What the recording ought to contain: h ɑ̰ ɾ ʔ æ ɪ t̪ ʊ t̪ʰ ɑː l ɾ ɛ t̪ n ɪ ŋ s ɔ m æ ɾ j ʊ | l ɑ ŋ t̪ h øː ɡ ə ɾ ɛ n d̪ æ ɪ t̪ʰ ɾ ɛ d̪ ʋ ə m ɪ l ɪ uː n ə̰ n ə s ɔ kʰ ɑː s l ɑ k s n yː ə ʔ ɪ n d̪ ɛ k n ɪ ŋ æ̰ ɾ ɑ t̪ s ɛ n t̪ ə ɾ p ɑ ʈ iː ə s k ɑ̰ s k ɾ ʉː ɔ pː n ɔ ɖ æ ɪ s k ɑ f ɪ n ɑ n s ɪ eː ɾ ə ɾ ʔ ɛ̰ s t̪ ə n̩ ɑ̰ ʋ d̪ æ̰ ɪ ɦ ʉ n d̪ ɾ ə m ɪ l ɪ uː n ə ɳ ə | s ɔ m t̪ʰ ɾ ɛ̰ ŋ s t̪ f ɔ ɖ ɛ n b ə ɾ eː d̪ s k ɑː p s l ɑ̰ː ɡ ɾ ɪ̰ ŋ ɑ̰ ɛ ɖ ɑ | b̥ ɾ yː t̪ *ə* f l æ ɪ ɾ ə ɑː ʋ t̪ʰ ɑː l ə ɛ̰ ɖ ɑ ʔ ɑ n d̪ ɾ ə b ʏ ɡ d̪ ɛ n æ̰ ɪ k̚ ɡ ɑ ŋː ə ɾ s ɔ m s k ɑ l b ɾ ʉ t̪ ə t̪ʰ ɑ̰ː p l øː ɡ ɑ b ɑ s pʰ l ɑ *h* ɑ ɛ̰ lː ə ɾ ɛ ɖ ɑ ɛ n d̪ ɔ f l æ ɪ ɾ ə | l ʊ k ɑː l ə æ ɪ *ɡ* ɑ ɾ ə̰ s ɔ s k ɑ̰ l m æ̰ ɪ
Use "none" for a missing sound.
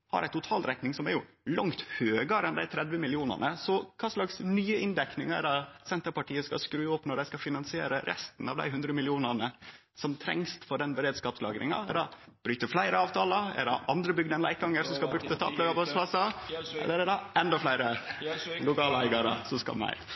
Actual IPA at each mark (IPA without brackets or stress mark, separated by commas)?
ə, s, ɡ